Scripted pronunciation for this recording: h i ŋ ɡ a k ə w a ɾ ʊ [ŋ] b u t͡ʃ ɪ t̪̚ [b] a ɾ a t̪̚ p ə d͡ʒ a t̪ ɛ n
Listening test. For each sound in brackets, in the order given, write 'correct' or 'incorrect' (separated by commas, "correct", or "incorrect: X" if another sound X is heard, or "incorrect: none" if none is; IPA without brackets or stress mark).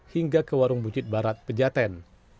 correct, correct